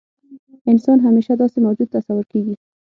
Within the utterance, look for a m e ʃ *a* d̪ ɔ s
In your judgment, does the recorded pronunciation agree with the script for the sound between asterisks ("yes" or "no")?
yes